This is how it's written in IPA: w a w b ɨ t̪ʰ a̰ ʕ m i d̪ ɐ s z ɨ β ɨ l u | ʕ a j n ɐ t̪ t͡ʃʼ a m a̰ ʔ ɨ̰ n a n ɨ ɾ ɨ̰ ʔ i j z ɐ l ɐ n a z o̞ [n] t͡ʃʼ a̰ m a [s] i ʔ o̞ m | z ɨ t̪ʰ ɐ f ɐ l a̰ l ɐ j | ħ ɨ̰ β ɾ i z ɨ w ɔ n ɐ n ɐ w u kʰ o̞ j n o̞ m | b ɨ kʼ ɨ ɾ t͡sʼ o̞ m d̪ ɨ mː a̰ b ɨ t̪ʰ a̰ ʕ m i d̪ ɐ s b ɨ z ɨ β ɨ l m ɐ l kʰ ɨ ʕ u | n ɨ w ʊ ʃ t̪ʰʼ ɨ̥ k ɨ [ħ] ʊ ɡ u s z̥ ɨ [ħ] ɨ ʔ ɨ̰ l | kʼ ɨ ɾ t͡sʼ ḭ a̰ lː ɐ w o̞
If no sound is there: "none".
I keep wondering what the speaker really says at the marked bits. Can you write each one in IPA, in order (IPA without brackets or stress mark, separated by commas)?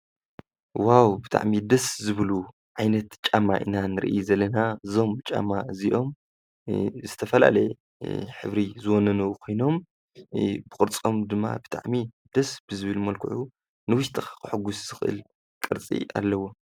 m, z, ħ, x